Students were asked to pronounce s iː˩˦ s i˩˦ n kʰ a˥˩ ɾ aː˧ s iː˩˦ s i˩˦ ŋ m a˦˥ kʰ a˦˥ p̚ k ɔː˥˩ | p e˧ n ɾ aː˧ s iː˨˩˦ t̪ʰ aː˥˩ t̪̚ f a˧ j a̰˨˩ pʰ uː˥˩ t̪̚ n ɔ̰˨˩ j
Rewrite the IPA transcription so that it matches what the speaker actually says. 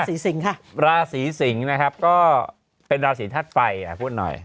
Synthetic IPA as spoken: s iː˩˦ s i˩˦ ŋ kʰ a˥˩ ɾ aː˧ s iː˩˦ s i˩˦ ŋ n a˦˥ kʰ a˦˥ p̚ k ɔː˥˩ | p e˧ n ɾ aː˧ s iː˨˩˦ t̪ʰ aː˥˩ t̪̚ f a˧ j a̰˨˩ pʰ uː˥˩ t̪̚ n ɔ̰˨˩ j

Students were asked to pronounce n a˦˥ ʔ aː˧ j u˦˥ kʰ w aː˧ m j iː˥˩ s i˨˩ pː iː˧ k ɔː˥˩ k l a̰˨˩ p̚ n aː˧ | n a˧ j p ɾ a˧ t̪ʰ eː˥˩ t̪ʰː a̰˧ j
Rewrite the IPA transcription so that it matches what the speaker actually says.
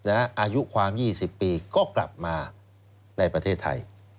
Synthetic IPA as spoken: n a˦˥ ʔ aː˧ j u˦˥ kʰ w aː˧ m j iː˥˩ s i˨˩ pː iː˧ k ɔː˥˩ k l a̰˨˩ p̚ m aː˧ | n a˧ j p ɾ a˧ t̪ʰ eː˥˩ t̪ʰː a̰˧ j

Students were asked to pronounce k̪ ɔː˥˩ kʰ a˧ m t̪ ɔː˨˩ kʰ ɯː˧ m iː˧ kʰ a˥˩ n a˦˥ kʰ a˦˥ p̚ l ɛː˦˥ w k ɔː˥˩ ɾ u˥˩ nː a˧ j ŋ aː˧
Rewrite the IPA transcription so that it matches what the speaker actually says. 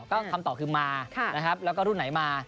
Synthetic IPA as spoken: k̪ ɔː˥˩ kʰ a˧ m t̪ ɔː˨˩ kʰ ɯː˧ m aː˧ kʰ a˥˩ n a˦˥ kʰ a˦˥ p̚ l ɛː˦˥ w k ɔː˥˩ ɾ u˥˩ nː a˩˦ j m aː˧

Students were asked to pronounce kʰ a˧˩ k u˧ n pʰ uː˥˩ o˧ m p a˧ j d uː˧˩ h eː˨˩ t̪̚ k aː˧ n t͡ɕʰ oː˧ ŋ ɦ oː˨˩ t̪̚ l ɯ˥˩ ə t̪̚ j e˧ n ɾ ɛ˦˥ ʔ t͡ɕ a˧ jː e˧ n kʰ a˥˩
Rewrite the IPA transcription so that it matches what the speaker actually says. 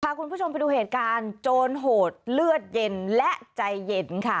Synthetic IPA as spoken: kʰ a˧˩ k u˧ n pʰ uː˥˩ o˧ m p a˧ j d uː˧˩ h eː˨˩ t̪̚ k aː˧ n t͡ɕ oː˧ n ɦ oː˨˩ t̪̚ l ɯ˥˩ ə t̪̚ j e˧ n l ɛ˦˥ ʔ t͡ɕ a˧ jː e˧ n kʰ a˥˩

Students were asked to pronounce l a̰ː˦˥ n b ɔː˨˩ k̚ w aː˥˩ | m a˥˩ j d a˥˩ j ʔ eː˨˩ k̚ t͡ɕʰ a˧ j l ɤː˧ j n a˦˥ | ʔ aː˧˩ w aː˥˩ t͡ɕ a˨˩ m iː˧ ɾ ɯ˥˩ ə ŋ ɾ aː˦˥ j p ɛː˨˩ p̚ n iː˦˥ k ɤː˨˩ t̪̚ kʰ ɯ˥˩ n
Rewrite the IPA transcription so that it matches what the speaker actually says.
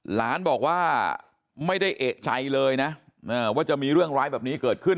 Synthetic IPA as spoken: l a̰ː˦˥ n b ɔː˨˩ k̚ w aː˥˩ | m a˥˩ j d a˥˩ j ʔ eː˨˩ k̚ t͡ɕʰ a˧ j l ɤː˧ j n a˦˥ | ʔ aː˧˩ w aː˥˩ t͡ɕ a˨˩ m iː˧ ɾ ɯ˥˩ ə ŋ ɾ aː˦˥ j b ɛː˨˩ p̚ n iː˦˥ k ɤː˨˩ t̪̚ kʰ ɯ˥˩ n

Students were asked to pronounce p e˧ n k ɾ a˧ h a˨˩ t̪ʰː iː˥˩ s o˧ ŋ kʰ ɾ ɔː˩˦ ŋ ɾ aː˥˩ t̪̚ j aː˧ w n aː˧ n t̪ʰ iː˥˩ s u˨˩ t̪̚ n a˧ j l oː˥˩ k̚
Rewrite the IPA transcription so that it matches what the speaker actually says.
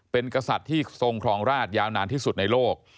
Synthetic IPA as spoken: p e˧ n k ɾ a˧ s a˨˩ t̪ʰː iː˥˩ s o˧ ŋ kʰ ɾ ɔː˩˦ ŋ ɾ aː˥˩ t̪̚ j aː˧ w n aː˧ n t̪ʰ iː˥˩ s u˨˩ t̪̚ n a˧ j l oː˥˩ k̚

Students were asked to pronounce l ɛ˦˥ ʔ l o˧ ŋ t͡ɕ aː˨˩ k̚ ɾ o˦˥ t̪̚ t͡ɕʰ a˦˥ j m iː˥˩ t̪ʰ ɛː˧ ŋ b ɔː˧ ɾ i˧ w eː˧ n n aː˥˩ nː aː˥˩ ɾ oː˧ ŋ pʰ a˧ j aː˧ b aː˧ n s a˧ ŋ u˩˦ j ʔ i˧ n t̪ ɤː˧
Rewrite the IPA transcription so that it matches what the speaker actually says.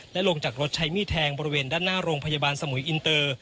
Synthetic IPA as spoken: l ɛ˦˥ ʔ l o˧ ŋ t͡ɕ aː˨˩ k̚ ɾ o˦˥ t̪̚ t͡ɕʰ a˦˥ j m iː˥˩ t̪ʰ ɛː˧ ŋ b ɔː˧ ɾ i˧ w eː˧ n d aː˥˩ nː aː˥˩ ɾ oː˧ ŋ pʰ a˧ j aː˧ b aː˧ n s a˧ m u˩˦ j ʔ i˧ n t̪ ɤː˧

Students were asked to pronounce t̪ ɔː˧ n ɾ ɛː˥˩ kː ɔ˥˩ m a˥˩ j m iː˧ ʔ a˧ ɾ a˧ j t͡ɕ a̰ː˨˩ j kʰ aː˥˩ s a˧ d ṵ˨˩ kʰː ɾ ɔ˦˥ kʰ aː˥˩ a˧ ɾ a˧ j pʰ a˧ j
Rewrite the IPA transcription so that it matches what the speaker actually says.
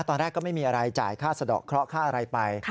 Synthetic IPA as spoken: t̪ ɔː˧ n ɾ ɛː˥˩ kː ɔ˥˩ m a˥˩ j m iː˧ ʔ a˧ ɾ a˧ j t͡ɕ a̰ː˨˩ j kʰ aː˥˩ s a˧ d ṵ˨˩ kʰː ɾ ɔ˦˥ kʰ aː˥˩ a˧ ɾ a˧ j p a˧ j

